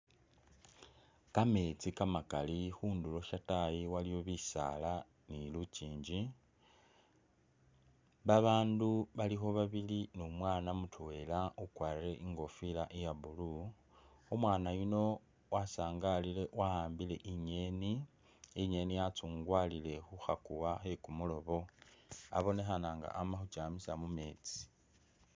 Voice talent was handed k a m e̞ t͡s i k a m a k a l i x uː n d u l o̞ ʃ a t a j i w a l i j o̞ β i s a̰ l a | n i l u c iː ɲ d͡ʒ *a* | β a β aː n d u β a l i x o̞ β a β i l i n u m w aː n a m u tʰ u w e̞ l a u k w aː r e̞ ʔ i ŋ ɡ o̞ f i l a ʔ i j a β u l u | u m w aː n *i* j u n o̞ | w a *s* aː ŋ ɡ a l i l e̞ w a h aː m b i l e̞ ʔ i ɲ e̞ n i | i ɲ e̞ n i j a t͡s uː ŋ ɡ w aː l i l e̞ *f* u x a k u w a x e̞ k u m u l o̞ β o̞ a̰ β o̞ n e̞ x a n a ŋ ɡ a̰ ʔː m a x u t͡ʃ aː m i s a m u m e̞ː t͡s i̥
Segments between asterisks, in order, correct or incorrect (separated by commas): incorrect, incorrect, correct, incorrect